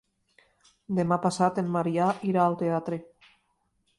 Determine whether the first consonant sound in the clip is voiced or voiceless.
voiced